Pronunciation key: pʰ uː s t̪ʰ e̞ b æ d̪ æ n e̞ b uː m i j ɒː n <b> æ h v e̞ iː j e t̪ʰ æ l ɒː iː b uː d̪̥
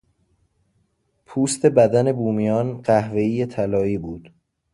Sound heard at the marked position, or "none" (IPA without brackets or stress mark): ɢ